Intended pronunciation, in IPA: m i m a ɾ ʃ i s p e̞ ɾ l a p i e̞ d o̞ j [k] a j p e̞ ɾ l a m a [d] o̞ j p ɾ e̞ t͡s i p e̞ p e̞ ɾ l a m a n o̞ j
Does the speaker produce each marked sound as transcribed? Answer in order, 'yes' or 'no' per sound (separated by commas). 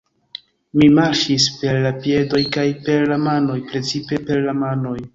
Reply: yes, no